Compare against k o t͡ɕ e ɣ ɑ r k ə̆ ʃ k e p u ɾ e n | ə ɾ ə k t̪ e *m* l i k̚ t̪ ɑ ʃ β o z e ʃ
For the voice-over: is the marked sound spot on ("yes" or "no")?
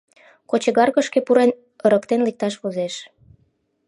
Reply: no